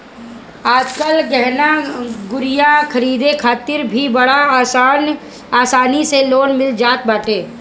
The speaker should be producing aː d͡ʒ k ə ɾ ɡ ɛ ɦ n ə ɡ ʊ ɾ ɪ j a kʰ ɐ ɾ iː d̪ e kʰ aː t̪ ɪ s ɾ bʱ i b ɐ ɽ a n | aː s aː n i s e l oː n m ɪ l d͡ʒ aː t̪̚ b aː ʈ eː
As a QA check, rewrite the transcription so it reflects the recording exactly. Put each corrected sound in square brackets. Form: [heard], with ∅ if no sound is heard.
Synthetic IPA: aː d͡ʒ k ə [l] ɡ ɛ ɦ n [a] ɡ ʊ ɾ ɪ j a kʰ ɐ ɾ iː d̪ e kʰ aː t̪ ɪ [∅] ɾ bʱ i b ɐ ɽ a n | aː s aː n i s e l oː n m ɪ l d͡ʒ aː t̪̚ b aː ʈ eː